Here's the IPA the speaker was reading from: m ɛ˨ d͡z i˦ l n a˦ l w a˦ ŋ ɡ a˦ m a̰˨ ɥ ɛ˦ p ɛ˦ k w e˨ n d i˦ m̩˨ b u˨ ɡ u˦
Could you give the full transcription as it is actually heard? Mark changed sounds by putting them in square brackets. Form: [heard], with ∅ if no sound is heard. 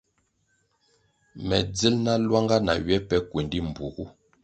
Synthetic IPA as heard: m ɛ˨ d͡z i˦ l n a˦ l w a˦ ŋ ɡ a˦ [n] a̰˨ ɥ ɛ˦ p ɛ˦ k w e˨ n d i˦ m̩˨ b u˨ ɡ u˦